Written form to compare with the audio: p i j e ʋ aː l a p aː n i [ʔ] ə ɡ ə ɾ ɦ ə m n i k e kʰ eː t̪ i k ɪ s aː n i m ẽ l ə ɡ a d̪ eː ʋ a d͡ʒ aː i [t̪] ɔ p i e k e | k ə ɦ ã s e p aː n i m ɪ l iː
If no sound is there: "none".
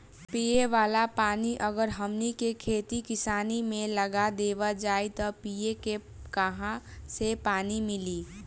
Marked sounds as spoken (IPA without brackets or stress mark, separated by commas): ʔ, t̪